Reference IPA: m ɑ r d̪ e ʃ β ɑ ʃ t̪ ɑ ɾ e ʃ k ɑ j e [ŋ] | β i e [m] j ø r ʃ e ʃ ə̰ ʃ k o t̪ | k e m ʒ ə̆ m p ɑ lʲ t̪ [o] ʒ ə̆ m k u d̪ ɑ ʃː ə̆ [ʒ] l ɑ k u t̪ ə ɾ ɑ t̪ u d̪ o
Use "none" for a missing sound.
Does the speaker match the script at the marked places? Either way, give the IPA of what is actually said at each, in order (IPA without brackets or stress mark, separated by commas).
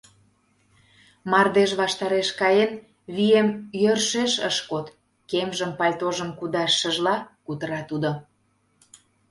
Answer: n, m, o, ʒ